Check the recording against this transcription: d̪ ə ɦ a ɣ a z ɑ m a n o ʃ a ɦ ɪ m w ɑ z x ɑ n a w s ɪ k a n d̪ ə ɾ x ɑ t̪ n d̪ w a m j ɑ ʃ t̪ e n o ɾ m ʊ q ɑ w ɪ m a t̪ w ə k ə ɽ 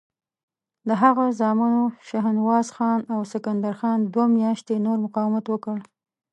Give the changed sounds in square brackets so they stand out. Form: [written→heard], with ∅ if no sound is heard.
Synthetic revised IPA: d̪ ə ɦ a ɣ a z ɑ m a n o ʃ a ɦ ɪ [m→n] w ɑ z x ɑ n a w s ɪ k a n d̪ [ə→a] ɾ x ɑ [t̪→∅] n d̪ w a m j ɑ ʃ t̪ e n o ɾ m ʊ q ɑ w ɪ m a t̪ w ə k ə ɽ